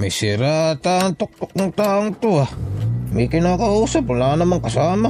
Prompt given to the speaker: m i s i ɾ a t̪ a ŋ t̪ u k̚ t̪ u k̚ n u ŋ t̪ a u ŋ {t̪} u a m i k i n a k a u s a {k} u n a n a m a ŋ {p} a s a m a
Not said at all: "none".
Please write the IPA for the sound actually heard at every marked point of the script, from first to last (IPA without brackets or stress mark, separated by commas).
t̪, p, k